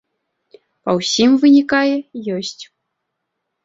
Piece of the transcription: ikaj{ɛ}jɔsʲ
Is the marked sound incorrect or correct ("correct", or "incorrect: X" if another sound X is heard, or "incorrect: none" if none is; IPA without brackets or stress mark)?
correct